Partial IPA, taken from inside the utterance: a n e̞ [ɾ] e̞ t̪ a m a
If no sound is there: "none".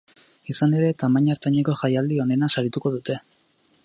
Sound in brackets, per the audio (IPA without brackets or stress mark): ɾ